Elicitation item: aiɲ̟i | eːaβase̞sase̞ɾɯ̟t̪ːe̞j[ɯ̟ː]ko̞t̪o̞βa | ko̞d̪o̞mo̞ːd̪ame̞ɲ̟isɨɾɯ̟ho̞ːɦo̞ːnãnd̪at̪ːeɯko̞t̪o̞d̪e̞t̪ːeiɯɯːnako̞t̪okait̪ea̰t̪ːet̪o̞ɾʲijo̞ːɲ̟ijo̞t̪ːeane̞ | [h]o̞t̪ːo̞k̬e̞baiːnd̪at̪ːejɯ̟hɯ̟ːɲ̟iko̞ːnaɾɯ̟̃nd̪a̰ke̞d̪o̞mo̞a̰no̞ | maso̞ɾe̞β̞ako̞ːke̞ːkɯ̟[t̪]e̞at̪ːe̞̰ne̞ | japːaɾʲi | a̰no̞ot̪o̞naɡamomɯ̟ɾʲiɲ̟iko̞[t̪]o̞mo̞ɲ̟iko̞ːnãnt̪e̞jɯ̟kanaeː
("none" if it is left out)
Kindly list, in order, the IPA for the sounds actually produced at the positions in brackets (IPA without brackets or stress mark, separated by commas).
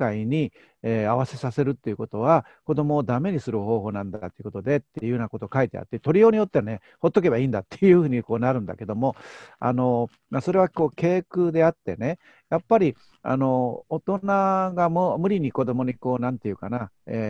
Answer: ɯ̟, h, d̪, d̪